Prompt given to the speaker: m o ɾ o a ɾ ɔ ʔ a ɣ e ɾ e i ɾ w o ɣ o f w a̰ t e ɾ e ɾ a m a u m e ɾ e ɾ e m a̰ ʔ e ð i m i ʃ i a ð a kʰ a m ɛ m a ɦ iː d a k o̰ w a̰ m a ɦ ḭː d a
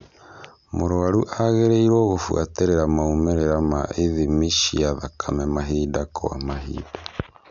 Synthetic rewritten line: m o ɾ o a ɾ u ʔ a ɣ e ɾ e i ɾ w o ɣ o f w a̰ t e ɾ e ɾ a m a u m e ɾ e ɾ a m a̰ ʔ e ð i m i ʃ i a ð a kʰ a m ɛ m a ɦ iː d a k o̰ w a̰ m a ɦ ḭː d a